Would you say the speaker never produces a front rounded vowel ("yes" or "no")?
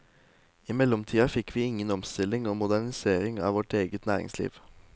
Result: yes